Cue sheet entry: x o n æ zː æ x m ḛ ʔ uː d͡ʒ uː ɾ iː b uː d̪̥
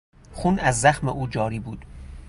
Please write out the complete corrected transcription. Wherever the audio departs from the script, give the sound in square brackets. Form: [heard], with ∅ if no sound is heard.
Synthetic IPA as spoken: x [u] n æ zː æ x m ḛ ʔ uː d͡ʒ [ɒː] ɾ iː b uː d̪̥